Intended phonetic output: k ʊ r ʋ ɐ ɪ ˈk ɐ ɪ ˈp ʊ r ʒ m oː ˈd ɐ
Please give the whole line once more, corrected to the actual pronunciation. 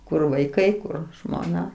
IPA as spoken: k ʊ r ʋ ɐ ɪ ˈk ɐ ɪ ˈk ʊ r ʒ m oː ˈn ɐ